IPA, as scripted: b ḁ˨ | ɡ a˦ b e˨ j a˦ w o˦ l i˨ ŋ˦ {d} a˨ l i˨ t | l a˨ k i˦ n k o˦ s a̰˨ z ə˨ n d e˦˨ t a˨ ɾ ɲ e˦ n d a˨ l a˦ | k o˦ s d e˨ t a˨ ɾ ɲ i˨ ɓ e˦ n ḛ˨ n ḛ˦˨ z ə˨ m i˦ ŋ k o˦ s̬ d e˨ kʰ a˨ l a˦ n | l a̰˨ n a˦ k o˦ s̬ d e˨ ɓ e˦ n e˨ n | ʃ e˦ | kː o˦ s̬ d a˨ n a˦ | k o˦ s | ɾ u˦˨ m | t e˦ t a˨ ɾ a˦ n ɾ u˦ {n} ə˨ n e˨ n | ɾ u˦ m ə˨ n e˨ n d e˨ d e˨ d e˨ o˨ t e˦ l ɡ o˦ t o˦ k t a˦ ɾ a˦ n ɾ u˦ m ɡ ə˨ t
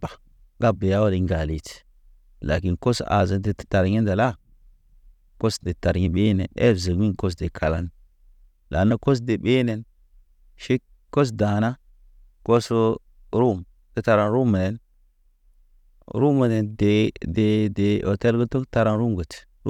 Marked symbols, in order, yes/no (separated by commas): no, no